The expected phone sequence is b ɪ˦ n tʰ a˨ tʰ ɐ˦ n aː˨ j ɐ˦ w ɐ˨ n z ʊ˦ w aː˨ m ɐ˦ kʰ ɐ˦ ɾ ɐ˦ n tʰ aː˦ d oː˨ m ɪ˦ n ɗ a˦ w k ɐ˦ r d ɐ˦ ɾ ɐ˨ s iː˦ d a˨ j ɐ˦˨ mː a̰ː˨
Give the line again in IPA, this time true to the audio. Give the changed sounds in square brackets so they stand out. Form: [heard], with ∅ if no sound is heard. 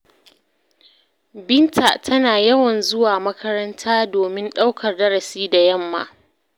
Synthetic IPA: b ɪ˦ n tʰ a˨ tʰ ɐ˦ n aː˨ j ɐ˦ w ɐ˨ n z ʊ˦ w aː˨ m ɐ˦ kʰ ɐ˦ ɾ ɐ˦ n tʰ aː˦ d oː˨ m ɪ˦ n ɗ a˦ w k [ɐ˨] r d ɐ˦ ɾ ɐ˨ s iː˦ d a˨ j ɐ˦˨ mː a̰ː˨